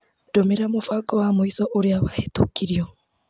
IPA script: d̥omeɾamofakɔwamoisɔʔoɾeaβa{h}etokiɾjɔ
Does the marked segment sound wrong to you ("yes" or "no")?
no